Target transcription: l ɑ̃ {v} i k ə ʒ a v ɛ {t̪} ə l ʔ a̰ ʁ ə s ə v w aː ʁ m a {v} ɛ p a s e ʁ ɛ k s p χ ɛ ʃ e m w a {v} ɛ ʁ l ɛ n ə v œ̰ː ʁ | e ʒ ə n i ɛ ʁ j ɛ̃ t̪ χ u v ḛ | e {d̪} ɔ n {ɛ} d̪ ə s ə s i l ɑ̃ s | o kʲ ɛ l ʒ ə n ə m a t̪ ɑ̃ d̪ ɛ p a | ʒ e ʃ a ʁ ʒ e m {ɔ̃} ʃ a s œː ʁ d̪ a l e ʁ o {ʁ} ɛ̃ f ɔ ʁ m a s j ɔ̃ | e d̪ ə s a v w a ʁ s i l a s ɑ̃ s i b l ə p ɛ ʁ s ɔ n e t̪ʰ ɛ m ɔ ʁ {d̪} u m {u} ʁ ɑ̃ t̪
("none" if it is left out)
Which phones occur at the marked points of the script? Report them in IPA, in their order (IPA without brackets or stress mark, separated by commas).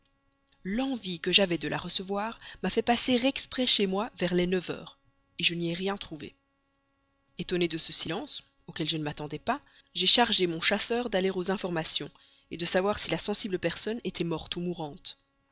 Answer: v, d̪, f, v, t̪, e, ɔ̃, z, t̪, u